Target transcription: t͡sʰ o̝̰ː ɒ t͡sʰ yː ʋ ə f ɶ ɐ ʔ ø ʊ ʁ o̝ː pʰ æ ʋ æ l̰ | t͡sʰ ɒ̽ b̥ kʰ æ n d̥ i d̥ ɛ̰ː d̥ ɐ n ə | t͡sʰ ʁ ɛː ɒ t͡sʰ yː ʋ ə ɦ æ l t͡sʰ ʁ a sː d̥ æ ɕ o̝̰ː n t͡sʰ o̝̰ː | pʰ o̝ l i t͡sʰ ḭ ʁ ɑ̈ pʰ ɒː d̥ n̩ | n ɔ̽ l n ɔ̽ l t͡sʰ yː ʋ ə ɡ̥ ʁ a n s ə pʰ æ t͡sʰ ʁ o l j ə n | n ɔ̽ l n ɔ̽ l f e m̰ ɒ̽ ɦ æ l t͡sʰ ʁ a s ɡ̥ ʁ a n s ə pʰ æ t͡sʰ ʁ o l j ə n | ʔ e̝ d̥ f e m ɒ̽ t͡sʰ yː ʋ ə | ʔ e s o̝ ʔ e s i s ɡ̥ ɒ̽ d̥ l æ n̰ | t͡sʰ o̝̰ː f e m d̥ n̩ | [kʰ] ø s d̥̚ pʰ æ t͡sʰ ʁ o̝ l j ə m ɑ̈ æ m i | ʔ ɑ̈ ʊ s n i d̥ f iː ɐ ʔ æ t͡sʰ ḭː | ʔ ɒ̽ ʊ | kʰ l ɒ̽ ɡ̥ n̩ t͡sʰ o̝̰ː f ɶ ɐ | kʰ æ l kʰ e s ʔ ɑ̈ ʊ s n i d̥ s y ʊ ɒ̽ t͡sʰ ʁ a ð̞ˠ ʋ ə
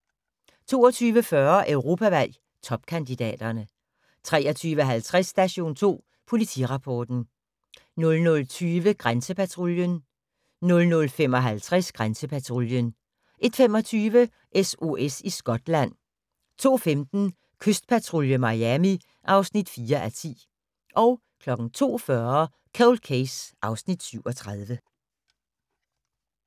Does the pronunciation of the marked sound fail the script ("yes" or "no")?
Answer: no